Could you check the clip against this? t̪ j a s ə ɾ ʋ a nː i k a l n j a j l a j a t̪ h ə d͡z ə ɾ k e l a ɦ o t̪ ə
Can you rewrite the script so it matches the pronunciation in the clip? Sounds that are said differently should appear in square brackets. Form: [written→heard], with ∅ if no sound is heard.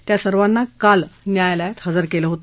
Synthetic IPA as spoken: t̪ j a s ə ɾ ʋ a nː [i→a] k a l n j a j l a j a t̪ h ə d͡z ə ɾ k e l [a→ə] ɦ o t̪ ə